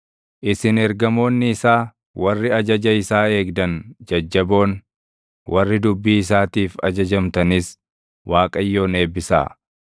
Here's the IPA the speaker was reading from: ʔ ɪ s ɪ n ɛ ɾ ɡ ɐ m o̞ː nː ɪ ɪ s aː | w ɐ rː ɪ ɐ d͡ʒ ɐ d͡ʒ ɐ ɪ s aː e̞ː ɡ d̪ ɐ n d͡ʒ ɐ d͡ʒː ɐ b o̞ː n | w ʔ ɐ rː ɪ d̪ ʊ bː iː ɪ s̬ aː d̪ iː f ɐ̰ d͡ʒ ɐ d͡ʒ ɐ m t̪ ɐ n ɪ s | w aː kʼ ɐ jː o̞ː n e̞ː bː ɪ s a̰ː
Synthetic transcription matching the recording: ʔ ɪ s ɪ n ɛ ɾ ɡ ɐ m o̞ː nː ɪ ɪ s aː | w ɐ rː ɪ ɐ d͡ʒ ɐ d͡ʒ ɐ ɪ s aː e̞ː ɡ d̪ ɐ n d͡ʒ ɐ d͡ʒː ɐ b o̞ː n | w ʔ ɐ rː ɪ d̪ ʊ bː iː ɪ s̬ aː t̪ iː f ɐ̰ d͡ʒ ɐ d͡ʒ ɐ m t̪ ɐ n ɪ s | w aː kʼ ɐ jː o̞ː n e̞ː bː ɪ s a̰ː